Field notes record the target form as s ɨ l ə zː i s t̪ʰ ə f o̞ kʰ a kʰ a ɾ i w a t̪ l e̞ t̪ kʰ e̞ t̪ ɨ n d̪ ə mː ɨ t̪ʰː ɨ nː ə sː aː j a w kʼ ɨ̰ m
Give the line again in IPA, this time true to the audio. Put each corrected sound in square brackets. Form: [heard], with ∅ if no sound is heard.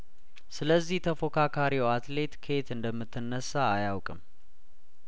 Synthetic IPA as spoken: s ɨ l ə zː i [h] t̪ʰ ə f o̞ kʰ a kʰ a ɾ i w a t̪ l e̞ t̪ kʰ e̞ t̪ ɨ n d̪ ə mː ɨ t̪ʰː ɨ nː ə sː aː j a w kʼ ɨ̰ m

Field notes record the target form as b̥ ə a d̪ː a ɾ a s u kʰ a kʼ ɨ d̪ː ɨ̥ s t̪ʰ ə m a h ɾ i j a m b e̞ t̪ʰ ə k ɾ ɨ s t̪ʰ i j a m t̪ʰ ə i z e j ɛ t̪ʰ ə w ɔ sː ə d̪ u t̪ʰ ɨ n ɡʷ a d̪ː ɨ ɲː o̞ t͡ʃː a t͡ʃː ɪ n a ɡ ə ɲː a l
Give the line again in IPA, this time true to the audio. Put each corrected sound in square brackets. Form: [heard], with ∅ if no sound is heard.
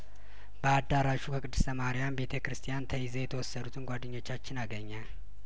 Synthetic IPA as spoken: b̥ ə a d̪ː a ɾ a [ʃ] u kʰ [ə] kʼ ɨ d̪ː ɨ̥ s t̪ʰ ə m a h ɾ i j a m b e̞ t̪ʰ ə k ɾ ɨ s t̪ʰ i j a [n] t̪ʰ ə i z e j ɛ t̪ʰ ə w ɔ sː ə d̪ u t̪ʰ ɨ n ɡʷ a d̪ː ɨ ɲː o̞ t͡ʃː a t͡ʃː ɪ n a ɡ ə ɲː a l

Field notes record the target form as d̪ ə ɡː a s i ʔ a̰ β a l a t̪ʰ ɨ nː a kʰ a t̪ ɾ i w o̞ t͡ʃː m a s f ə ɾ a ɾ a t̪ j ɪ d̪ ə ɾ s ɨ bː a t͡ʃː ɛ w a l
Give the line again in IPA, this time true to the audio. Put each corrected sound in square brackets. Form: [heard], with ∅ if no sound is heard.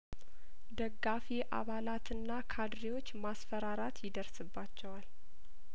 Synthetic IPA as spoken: d̪ ə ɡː a [f] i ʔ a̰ β a l a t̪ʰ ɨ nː a kʰ a [d̪] ɾ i w o̞ t͡ʃː m a s f ə ɾ a ɾ a t̪ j ɪ d̪ ə ɾ s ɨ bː a t͡ʃː ɛ w a l

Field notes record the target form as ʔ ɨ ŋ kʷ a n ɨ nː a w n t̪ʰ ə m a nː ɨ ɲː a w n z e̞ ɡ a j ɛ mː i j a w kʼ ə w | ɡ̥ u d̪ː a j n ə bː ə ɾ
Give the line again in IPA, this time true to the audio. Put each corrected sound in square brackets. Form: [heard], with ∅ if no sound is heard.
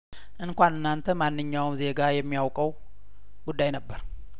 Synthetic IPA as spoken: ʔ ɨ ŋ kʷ a n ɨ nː a [∅] n t̪ʰ ə m a nː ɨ ɲː a w [m] z e̞ ɡ a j ɛ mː i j a w kʼ ə w | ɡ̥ u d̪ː a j n ə bː ə ɾ

